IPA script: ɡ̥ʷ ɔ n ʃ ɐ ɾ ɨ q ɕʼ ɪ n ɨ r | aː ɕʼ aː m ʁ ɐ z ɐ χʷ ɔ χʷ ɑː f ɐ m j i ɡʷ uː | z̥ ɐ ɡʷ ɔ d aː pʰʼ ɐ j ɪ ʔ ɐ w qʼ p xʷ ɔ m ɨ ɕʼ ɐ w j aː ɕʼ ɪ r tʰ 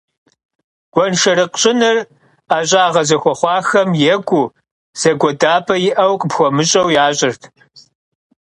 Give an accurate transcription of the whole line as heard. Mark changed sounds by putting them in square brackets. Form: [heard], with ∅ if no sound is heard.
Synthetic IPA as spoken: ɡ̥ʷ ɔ n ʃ ɐ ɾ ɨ q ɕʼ ɪ n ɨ r | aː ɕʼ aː [∅] ʁ ɐ z ɐ [xʷ] ɔ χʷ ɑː [x] ɐ m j [ɛ] ɡʷ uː | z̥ ɐ ɡʷ ɔ d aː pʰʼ ɐ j ɪ ʔ ɐ w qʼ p xʷ ɔ m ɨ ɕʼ ɐ w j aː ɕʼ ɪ r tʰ